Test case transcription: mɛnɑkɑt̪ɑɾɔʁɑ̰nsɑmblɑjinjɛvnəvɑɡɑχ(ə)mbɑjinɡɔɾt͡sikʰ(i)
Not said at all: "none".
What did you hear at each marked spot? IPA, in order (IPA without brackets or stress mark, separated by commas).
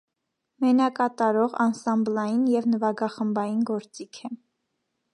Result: ə, ɛ